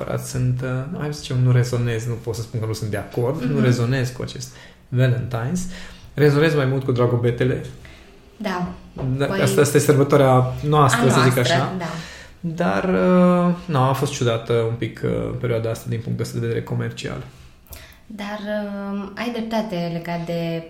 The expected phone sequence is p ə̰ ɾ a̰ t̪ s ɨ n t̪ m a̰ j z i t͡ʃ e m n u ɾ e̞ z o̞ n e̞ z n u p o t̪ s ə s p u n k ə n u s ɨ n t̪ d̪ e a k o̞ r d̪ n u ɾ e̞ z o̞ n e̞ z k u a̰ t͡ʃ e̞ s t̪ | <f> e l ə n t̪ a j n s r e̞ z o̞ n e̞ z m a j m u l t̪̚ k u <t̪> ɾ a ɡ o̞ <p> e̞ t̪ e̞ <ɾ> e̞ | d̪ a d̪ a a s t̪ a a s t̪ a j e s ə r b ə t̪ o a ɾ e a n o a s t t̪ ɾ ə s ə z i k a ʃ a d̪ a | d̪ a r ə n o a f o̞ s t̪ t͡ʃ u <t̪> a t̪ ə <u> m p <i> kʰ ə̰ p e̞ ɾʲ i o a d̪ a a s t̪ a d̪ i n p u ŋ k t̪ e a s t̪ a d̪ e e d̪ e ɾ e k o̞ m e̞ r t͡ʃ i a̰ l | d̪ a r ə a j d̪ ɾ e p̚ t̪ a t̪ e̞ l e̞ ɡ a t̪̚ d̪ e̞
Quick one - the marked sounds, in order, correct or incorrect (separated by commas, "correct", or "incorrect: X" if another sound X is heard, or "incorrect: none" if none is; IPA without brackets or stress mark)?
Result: incorrect: v, incorrect: d̪, incorrect: b, incorrect: l, incorrect: d̪, correct, correct